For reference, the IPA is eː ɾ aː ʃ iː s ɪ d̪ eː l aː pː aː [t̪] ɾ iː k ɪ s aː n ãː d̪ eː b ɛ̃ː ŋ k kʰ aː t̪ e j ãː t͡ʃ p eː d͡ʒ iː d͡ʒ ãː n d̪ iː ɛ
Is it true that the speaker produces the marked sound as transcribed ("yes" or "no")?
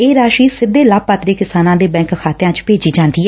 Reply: yes